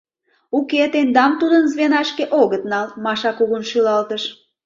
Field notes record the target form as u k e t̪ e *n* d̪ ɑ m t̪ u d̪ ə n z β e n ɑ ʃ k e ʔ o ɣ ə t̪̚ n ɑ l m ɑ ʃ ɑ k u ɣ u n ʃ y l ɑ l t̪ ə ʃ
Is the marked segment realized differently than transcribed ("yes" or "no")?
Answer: no